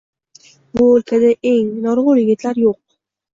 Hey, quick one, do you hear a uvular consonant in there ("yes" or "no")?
yes